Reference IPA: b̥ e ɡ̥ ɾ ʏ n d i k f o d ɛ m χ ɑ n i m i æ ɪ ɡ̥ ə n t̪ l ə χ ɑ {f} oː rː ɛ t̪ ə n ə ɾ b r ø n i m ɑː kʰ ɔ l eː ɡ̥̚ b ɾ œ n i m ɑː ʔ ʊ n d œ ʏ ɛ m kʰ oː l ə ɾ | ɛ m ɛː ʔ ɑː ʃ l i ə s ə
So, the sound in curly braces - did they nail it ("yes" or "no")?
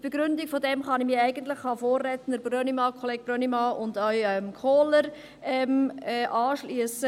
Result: yes